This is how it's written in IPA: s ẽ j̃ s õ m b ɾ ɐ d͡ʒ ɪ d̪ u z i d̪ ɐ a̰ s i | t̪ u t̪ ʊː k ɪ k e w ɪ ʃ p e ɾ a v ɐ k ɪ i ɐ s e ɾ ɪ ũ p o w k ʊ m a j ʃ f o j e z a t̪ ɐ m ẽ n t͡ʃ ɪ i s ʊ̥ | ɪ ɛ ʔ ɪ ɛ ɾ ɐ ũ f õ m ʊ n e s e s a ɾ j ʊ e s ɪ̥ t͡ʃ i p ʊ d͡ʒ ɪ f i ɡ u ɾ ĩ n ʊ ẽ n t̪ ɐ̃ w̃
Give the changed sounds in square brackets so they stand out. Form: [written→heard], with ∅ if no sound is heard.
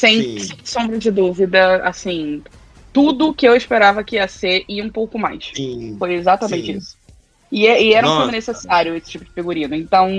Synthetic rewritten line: s ẽ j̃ s õ m b ɾ ɐ d͡ʒ ɪ d̪ u [z→v] i d̪ ɐ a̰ s [i→ĩ] | t̪ u [t̪→d̪] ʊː k ɪ [k→∅] e w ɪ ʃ p e ɾ a v ɐ k ɪ i ɐ s e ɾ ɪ ũ p o w k ʊ m a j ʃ f o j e z a t̪ ɐ m ẽ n t͡ʃ ɪ i s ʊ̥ | ɪ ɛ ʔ ɪ ɛ ɾ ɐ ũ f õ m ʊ n e s e s a ɾ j ʊ e s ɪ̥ t͡ʃ i p ʊ d͡ʒ ɪ f i ɡ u ɾ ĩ n ʊ ẽ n t̪ ɐ̃ w̃